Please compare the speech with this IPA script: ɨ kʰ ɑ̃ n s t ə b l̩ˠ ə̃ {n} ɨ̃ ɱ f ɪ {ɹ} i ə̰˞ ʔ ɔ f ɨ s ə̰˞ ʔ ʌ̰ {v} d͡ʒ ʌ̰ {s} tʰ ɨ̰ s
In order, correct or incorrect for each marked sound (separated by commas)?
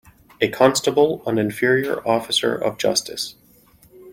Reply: correct, correct, correct, correct